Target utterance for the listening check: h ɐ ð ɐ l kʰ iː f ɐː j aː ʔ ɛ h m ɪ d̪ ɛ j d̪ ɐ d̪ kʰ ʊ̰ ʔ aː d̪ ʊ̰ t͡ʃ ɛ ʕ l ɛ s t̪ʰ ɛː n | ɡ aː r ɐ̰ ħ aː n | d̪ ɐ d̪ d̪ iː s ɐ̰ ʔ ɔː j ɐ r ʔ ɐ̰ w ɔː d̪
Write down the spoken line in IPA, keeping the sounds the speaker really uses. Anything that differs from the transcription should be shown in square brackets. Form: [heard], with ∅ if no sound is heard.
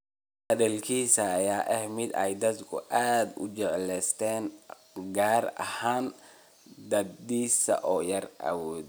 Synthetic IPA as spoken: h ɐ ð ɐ l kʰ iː [s] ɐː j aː ʔ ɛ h m ɪ d̪ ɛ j d̪ ɐ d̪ kʰ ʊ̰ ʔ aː d̪ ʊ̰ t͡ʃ ɛ ʕ l ɛ s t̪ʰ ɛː n | ɡ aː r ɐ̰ [h] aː n | d̪ ɐ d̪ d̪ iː s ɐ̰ ʔ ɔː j ɐ r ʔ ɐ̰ w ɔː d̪